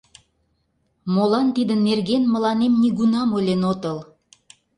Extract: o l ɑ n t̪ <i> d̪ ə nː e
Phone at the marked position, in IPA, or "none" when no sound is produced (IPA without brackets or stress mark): i